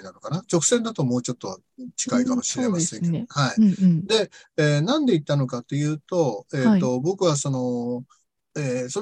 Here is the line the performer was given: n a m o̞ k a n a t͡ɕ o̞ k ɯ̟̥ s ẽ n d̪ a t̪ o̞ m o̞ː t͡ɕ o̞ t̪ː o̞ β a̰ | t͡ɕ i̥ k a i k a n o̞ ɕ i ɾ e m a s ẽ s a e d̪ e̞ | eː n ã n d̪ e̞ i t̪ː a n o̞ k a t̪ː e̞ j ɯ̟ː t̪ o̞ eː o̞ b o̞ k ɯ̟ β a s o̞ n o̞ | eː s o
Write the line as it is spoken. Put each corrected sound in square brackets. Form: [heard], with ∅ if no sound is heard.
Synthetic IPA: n a [n] o̞ k a n a t͡ɕ o̞ k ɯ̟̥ s ẽ n d̪ a t̪ o̞ m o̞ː t͡ɕ o̞ t̪ː o̞ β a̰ | t͡ɕ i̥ k a i k a [m] o̞ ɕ i ɾ e m a s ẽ [h] a [i] d̪ e̞ | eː n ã n d̪ e̞ i t̪ː a n o̞ k a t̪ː e̞ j ɯ̟ː t̪ o̞ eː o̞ b o̞ k ɯ̟ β a s o̞ n o̞ | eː s o